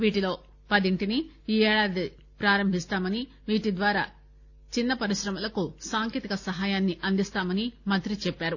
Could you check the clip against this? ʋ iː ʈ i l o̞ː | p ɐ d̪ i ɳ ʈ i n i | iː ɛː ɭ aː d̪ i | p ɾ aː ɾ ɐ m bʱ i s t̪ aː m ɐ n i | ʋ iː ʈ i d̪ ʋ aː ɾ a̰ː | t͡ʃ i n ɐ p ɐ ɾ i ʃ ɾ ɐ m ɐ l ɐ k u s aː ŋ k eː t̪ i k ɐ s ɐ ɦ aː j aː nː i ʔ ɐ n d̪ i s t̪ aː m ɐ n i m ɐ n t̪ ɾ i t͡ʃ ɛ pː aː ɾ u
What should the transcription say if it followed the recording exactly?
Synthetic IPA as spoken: ʋ iː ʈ i l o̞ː | p ɐ d̪ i ɳ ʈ i n i | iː ɛː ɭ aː d̪ i | p ɾ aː ɾ ɐ m bʱ i s t̪ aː m ɐ n i | ʋ iː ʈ i d̪ ʋ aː ɾ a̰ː | t͡ʃ i nː ɐ p ɐ ɾ i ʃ ɾ ɐ m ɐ l ɐ k u s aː ŋ k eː t̪ i k ɐ s ɐ ɦ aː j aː nː i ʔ ɐ n d̪ i s t̪ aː m ɐ n i m ɐ n t̪ ɾ i t͡ʃ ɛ pː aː ɾ u